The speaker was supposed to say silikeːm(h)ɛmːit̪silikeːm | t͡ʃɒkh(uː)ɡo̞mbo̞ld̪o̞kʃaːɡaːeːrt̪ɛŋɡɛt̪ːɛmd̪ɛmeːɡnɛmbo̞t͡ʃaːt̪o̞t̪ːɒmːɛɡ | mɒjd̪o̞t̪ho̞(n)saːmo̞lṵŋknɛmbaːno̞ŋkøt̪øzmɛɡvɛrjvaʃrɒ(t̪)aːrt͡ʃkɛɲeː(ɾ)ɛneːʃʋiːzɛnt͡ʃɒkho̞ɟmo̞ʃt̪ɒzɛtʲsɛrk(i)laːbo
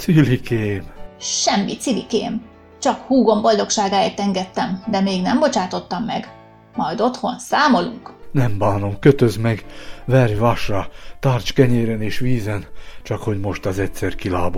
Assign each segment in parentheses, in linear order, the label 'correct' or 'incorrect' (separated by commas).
incorrect, correct, correct, correct, correct, correct